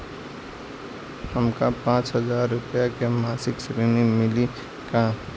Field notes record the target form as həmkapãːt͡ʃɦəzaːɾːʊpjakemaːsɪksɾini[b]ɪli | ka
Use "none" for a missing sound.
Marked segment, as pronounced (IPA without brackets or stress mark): m